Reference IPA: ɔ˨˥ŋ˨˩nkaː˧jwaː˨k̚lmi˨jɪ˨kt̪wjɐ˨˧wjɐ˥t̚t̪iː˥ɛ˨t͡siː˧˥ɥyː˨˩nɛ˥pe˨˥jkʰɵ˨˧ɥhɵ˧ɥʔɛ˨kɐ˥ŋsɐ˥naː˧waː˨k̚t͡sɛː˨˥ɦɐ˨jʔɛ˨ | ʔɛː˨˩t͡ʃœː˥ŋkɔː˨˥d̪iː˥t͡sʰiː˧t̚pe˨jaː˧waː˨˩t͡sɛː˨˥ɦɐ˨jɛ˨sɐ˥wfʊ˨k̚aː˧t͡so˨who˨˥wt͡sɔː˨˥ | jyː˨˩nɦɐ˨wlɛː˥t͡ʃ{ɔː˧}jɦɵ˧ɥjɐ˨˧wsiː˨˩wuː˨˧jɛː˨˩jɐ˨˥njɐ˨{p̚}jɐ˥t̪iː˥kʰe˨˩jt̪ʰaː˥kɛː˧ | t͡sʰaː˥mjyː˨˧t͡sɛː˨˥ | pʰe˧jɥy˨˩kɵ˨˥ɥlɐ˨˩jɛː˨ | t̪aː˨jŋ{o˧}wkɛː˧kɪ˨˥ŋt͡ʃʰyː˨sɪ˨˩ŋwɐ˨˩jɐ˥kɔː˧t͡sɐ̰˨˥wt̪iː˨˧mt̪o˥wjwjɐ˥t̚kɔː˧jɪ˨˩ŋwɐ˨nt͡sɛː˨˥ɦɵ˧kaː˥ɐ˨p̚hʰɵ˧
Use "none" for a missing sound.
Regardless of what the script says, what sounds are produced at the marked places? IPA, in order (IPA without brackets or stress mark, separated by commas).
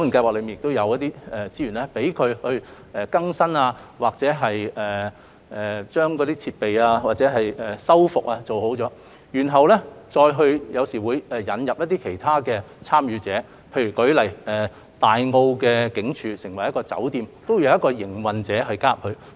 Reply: ɔː˧, p̚, o˧